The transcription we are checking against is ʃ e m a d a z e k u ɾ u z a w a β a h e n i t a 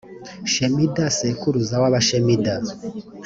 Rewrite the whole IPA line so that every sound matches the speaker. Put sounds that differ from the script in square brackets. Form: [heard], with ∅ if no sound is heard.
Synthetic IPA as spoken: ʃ e m [i] d a [s] e k u ɾ u z a w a β a [ʃ] e [m] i [d] a